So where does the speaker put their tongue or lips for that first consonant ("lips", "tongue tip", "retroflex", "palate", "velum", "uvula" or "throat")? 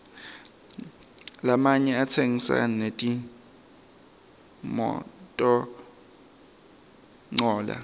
tongue tip